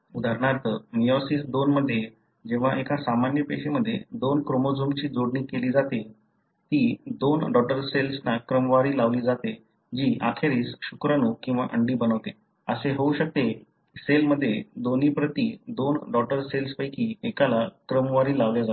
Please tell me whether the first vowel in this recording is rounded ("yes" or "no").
yes